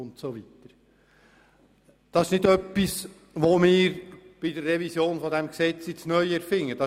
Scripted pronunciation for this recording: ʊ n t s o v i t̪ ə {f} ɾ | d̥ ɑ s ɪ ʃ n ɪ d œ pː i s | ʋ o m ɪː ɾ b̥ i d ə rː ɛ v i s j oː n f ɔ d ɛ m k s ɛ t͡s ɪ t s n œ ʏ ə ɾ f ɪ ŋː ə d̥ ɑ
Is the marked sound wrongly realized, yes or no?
yes